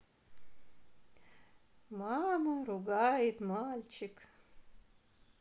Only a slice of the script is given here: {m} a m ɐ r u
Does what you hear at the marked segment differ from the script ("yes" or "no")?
no